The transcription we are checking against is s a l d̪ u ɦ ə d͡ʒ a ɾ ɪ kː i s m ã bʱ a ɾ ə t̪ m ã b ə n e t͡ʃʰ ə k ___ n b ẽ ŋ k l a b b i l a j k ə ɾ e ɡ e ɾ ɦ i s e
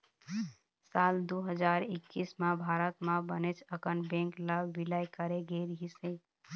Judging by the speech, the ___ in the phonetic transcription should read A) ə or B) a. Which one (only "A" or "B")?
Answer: A